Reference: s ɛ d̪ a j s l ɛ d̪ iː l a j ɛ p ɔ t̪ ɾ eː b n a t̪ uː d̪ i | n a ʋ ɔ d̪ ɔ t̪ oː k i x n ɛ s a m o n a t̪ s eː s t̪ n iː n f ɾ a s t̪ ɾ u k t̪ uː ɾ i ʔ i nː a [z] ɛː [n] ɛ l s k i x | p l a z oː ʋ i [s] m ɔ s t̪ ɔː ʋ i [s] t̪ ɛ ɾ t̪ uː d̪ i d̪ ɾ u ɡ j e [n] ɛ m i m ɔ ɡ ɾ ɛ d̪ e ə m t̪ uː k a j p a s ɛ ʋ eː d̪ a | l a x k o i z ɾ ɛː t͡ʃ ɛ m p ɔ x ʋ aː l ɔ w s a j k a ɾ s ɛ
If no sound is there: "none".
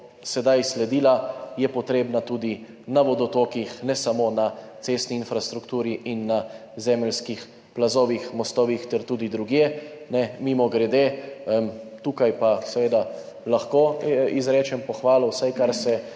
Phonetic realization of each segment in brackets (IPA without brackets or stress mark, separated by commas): z, m, x, x, n